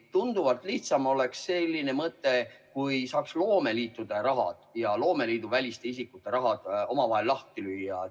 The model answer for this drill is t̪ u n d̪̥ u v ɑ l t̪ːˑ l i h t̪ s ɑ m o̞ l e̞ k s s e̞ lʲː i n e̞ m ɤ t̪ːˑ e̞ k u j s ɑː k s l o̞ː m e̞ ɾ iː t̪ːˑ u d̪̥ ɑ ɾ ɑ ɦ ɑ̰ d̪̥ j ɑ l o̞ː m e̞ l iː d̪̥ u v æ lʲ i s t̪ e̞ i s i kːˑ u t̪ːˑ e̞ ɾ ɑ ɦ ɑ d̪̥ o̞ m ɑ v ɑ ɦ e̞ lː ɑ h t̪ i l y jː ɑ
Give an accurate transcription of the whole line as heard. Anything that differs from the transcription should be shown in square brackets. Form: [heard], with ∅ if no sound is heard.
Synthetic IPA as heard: t̪ u n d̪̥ u v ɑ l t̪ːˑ l i h t̪ s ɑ m o̞ l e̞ k s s e̞ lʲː i n e̞ m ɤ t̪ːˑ e̞ k u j s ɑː k s l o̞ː m e̞ [l] iː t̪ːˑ u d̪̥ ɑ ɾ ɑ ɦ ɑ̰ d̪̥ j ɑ l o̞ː m e̞ l iː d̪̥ u v æ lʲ i s t̪ e̞ i s i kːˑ u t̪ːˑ e̞ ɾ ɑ ɦ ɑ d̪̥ o̞ m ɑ v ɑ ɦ e̞ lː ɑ h t̪ i l y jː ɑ